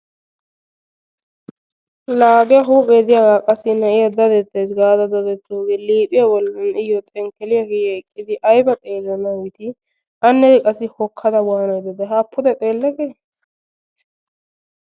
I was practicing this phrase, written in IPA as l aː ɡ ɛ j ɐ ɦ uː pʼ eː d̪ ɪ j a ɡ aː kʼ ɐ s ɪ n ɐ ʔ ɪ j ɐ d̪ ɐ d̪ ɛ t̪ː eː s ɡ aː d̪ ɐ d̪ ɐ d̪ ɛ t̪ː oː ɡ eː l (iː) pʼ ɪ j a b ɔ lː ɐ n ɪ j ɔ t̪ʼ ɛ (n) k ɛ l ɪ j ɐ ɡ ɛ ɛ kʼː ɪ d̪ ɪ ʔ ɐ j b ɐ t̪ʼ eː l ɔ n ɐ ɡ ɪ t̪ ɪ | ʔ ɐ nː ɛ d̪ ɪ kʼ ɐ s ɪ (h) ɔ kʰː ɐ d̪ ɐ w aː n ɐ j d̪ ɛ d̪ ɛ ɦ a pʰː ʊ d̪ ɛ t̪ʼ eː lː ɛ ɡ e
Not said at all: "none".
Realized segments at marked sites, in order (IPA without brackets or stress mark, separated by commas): iː, ŋ, h